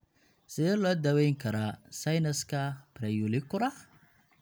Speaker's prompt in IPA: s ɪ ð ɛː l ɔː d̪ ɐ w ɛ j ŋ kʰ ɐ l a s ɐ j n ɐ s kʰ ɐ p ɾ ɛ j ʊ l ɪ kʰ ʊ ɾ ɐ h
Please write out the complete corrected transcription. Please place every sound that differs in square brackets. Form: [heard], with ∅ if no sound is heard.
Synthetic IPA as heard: s ɪ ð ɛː l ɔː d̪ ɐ w ɛ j ŋ kʰ ɐ [ɾ] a s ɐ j n ɐ s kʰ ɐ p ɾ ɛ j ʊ l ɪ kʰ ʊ ɾ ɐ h